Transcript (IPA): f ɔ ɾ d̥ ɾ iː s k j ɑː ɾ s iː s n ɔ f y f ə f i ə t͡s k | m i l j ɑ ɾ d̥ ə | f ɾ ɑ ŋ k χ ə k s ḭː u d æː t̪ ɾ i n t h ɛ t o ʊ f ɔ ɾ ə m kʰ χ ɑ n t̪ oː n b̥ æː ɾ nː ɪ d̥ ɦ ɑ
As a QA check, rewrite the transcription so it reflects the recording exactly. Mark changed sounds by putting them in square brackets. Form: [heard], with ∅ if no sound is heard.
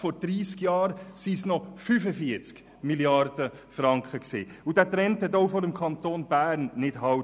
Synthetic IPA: f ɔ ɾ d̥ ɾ iː s k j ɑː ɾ s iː s n ɔ f y f ə f i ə t͡s k | m i l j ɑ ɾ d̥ ə | f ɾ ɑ ŋ k χ ə k s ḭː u d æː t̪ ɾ [ɛ] n t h ɛ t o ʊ f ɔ ɾ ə m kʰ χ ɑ n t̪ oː n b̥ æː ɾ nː ɪ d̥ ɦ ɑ

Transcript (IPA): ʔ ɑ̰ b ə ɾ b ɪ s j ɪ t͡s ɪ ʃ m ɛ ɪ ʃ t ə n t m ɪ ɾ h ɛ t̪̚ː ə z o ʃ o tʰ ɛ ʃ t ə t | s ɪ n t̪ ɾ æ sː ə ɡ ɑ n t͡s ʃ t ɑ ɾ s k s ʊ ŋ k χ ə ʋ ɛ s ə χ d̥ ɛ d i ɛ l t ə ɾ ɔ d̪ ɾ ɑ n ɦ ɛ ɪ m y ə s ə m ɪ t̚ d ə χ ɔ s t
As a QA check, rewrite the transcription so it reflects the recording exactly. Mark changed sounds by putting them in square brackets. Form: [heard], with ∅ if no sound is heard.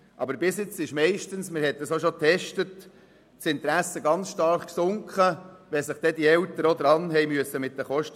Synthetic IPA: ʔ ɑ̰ b ə ɾ b ɪ s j ɪ t͡s ɪ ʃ m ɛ ɪ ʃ t ə n [s] m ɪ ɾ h ɛ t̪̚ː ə [s] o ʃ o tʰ ɛ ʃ t ə t | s ɪ n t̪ ɾ æ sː ə ɡ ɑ n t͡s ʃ t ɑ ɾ [χ] k s ʊ ŋ k χ ə ʋ ɛ s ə χ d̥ ɛ d i ɛ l t ə ɾ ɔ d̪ ɾ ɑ n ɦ ɛ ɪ m y ə s ə m ɪ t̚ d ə χ ɔ [ʃ] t

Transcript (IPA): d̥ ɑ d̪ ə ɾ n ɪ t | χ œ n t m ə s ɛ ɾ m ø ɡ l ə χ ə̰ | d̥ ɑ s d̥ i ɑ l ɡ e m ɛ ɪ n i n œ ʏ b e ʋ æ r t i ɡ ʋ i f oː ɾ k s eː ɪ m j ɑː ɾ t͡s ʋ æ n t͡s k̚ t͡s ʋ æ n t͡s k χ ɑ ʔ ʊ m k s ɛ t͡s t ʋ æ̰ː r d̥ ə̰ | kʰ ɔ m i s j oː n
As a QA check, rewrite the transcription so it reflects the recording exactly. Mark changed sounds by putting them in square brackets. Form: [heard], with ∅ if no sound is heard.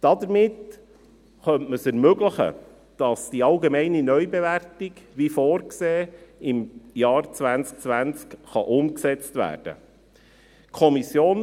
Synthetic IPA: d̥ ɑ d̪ ə ɾ [m] ɪ t | χ œ n t m ə s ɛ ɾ m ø ɡ l ə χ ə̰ | d̥ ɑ s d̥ i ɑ l ɡ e m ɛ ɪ n i n œ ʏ b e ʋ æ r t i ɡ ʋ i f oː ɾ k s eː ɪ m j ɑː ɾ t͡s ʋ æ n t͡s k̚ t͡s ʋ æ n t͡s k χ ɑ ʔ ʊ m k s ɛ t͡s t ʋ æ̰ː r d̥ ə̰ | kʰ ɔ m i s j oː n

